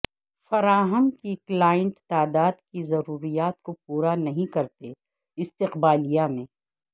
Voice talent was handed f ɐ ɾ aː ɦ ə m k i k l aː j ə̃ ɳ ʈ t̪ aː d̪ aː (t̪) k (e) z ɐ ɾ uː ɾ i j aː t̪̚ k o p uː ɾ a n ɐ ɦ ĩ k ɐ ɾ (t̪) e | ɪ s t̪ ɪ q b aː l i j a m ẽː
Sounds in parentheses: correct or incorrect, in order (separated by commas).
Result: incorrect, incorrect, correct